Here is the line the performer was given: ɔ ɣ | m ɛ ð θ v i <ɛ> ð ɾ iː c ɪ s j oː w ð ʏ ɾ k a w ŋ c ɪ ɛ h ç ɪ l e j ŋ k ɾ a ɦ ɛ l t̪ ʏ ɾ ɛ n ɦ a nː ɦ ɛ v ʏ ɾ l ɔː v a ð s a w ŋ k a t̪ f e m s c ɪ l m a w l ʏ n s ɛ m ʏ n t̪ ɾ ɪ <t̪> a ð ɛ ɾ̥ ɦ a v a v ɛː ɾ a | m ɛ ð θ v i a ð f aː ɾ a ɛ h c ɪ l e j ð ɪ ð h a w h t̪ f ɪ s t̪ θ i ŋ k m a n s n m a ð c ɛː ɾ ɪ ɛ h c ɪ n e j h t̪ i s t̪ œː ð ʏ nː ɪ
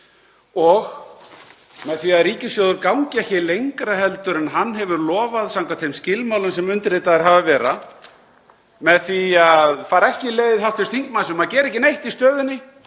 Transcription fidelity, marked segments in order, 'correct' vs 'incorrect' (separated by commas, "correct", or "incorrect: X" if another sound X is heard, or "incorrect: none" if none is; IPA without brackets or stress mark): incorrect: a, correct